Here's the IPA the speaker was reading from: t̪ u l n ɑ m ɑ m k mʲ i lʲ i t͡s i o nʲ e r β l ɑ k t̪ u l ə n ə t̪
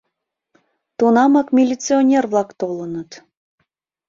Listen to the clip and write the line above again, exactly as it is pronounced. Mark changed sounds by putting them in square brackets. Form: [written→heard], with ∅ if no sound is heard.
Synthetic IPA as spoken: t̪ u [l→∅] n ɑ m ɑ [m→∅] k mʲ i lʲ i t͡s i o nʲ e r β l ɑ k t̪ [u→o] l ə n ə t̪